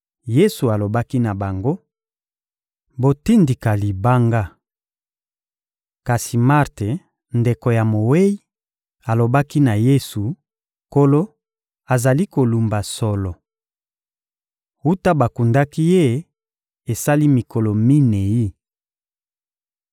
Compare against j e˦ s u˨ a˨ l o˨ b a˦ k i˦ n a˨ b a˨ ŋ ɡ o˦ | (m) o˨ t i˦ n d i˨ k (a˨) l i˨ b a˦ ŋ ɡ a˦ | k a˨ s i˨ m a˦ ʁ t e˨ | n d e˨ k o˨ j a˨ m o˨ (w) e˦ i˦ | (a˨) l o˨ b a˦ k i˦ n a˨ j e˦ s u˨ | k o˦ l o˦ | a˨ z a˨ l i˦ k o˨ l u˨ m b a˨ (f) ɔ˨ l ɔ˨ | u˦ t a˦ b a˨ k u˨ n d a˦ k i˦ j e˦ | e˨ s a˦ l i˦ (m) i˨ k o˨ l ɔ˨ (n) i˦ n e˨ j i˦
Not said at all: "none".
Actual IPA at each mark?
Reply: b, a˨, w, a˨, s, m, m

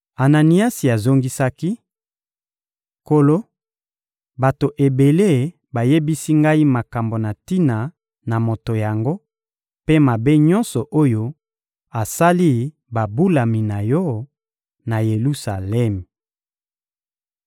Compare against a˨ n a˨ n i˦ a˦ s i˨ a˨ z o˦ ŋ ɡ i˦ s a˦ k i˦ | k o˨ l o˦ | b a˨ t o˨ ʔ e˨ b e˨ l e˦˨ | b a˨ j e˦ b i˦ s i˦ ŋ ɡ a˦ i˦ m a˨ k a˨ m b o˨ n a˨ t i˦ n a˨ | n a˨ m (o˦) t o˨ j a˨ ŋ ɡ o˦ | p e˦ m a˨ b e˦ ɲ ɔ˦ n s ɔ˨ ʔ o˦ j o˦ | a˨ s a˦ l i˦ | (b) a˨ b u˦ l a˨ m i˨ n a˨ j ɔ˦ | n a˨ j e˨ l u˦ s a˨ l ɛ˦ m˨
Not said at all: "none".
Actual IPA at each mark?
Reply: o˨, b

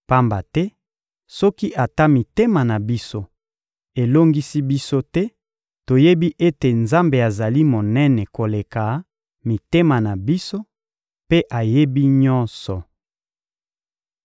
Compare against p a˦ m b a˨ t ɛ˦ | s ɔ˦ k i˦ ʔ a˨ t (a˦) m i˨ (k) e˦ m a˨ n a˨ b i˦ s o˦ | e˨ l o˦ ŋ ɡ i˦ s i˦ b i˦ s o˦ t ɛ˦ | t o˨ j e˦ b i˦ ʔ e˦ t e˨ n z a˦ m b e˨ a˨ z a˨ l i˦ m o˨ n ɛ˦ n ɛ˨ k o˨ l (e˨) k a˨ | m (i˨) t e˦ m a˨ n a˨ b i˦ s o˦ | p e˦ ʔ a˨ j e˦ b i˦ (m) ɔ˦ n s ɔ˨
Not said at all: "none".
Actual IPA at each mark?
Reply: a˦, t, e˨, i˨, ɲ

